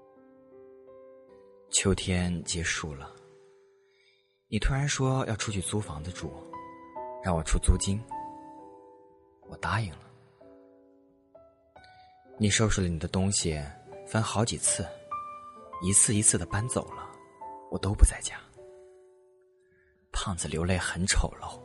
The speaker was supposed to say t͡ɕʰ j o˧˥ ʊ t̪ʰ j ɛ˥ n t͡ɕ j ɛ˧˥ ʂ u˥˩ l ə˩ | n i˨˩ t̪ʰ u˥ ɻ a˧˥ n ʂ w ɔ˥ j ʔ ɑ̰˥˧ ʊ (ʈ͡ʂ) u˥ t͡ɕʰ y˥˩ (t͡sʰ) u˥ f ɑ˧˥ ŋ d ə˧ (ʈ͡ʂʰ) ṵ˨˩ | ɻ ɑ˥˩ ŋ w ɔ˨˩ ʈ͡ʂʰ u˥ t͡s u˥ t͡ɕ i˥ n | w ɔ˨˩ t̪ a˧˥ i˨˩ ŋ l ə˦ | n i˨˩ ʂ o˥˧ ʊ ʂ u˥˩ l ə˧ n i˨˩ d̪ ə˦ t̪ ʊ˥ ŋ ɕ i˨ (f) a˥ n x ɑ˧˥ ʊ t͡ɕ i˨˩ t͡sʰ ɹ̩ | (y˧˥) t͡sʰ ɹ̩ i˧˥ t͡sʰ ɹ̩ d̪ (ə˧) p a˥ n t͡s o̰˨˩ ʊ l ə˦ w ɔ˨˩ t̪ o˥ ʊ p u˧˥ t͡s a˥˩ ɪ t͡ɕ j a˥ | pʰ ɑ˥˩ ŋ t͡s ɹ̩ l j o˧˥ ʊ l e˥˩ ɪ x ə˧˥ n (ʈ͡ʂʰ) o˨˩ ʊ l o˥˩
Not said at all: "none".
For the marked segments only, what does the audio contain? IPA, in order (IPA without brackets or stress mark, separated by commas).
ʈ͡ʂʰ, t͡s, ʈ͡ʂ, f, i˧˥, ə˩, ʈ͡ʂʰ